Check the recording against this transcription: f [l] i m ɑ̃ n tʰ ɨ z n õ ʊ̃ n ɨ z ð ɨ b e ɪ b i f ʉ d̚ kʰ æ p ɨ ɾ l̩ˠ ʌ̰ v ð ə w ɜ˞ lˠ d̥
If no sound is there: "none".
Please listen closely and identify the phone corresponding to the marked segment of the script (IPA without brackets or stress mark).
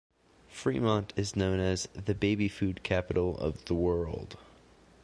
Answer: ɹ